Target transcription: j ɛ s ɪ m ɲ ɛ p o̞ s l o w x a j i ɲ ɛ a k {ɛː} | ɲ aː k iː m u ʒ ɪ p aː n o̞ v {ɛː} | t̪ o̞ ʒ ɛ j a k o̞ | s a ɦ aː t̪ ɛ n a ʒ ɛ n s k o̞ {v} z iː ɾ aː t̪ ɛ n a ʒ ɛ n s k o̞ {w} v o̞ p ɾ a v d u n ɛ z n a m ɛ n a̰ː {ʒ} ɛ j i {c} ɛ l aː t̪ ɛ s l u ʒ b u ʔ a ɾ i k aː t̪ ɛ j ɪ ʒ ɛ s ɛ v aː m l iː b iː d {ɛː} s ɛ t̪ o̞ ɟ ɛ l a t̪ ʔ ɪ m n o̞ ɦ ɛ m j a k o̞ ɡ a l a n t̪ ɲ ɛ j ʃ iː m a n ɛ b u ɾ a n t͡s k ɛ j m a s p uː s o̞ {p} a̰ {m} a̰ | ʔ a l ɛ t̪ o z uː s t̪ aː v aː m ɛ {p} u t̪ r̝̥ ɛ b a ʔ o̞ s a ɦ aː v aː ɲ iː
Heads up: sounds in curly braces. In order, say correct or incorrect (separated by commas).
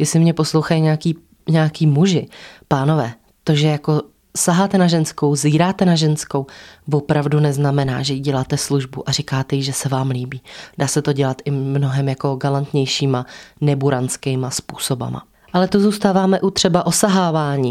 incorrect, correct, incorrect, correct, correct, incorrect, incorrect, incorrect, correct, incorrect